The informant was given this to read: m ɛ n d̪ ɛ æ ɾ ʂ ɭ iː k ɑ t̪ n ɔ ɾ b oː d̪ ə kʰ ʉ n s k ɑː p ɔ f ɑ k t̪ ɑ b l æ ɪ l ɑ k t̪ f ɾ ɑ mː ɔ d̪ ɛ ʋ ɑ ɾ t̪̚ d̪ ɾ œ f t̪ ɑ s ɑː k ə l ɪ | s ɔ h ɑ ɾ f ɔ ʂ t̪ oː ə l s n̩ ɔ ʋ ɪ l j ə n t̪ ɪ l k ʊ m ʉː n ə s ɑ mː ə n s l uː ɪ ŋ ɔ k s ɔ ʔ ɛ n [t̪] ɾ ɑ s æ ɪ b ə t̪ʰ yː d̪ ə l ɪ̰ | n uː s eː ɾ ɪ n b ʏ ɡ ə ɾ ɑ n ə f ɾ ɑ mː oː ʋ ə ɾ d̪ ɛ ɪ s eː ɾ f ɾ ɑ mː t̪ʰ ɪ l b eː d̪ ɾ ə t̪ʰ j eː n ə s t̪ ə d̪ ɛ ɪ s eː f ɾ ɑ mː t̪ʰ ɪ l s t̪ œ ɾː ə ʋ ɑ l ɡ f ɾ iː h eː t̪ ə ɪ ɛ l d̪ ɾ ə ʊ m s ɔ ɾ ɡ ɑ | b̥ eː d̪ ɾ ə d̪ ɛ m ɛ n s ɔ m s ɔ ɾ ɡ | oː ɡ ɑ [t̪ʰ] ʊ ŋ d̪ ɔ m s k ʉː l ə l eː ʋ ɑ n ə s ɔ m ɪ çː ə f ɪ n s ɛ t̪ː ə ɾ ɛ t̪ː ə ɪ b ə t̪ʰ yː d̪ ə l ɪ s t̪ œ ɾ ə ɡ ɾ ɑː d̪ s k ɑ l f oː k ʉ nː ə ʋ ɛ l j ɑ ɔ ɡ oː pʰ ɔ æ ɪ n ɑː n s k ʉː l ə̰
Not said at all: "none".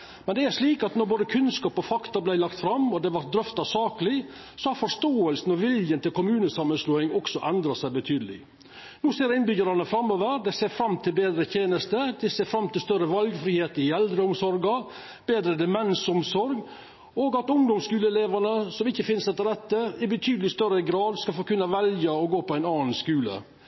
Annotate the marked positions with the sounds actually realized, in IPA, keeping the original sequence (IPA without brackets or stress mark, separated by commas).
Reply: d̪, t̪